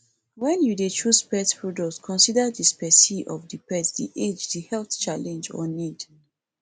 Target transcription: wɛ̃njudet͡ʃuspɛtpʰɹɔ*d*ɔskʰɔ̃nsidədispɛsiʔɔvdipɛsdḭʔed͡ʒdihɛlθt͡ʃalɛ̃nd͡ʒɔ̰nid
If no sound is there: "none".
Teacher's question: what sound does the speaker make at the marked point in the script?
d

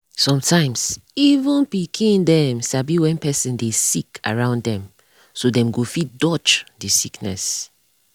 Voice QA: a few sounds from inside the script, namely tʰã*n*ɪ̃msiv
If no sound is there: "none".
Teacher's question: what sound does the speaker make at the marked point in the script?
none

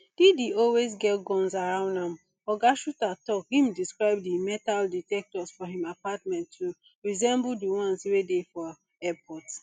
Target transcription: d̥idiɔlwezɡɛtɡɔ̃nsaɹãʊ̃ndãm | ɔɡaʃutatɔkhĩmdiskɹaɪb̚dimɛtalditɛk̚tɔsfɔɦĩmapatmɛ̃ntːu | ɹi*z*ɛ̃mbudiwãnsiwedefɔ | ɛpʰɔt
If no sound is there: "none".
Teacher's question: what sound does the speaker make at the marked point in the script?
z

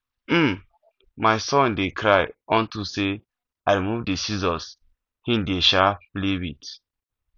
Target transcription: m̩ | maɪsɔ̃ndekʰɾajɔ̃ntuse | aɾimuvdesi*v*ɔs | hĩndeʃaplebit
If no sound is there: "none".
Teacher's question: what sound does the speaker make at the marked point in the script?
z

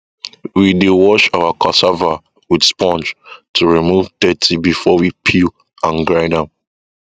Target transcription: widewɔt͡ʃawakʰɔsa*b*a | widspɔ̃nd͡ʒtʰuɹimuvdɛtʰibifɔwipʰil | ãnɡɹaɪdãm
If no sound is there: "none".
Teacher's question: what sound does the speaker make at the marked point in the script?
v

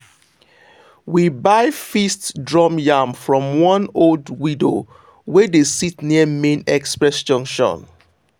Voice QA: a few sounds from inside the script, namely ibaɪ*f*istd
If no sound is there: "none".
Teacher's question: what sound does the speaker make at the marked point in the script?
f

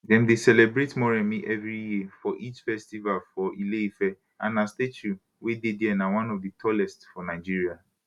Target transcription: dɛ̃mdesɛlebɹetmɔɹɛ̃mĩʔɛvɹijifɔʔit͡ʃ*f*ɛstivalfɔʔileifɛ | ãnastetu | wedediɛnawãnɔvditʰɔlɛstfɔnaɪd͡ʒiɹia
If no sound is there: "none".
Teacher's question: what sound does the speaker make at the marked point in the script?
f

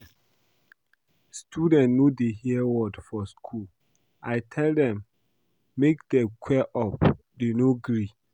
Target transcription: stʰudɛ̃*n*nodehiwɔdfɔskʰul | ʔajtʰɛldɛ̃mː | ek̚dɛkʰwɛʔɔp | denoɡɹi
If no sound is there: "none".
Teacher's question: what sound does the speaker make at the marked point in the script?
n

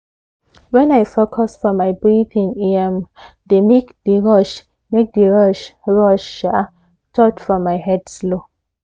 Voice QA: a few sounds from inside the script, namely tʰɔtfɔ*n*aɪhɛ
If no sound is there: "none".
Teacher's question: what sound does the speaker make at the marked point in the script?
m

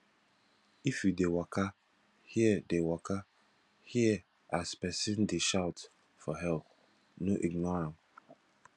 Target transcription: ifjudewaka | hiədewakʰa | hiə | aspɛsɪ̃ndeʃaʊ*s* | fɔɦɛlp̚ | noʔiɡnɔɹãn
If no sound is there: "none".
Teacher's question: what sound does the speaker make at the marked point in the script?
t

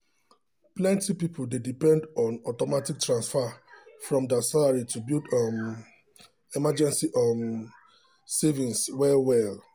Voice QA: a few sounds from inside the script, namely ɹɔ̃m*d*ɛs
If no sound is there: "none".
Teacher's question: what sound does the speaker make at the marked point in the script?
d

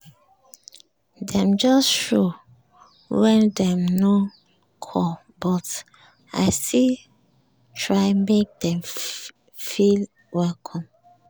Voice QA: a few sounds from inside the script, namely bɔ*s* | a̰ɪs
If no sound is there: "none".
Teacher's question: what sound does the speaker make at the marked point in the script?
t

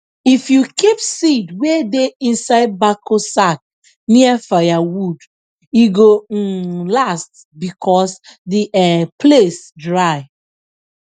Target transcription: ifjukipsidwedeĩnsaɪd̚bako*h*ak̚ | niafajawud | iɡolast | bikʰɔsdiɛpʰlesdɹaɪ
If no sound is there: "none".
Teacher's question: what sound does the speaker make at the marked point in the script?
s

